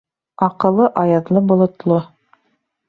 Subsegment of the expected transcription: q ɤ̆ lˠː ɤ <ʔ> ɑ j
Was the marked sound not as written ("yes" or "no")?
no